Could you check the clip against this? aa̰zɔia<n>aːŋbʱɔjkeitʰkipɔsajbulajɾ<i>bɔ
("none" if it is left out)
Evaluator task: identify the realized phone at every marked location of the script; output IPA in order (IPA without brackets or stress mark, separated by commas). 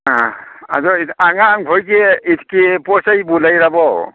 ŋ, a